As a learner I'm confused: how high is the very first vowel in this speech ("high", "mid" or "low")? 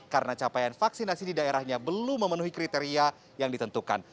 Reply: low